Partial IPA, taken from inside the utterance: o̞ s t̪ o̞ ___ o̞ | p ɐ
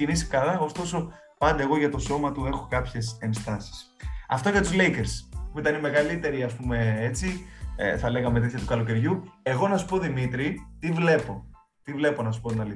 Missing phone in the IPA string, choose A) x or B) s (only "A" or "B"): B